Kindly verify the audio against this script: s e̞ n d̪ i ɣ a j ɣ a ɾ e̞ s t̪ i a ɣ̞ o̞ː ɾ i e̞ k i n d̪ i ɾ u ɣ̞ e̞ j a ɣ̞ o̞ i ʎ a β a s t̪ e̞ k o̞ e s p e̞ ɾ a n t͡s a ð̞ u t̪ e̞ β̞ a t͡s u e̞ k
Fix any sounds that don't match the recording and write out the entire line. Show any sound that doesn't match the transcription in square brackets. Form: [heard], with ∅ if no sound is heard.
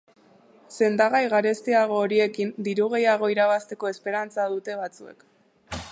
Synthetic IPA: s e̞ n d̪ [a] ɣ a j ɣ a ɾ e̞ s t̪ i a ɣ̞ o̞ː ɾ i e̞ k i n d̪ i ɾ u ɣ̞ e̞ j a ɣ̞ o̞ i [ɾ] a β a s t̪ e̞ k o̞ e s p e̞ ɾ a n t͡s a ð̞ u t̪ e̞ β̞ a t͡s u e̞ k